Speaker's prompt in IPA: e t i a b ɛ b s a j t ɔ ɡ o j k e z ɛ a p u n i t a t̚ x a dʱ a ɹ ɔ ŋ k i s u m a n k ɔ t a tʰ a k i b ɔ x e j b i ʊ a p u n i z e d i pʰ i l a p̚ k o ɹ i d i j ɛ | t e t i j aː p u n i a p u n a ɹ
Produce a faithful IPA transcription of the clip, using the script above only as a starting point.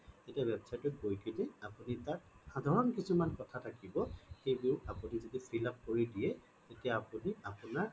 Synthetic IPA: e t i a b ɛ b s a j t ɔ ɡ o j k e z ɛ a p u n i t a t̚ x a dʱ a ɹ ɔ n k i s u m a n k ɔ tʰ a tʰ a k i b ɔ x e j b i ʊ a p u n i z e d i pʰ i l a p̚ k o ɹ i d i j ɛ | t e t i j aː p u n i a p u n a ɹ